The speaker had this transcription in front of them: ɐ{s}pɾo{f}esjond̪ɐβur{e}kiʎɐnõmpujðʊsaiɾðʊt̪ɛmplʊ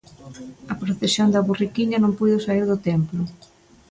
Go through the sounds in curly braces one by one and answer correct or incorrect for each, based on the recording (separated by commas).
incorrect, incorrect, incorrect